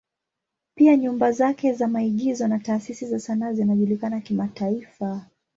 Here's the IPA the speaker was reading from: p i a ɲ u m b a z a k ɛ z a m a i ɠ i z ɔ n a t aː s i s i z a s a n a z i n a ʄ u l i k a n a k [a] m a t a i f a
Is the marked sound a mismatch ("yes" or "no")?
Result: yes